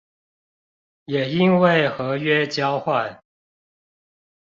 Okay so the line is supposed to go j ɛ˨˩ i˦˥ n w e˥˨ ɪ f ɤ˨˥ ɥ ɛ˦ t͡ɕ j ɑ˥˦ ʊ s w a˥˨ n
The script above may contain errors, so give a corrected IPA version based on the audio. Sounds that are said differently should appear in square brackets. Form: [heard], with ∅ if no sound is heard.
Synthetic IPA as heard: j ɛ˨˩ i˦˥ n w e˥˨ ɪ [x] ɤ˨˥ ɥ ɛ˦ t͡ɕ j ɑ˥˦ ʊ [x] w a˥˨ n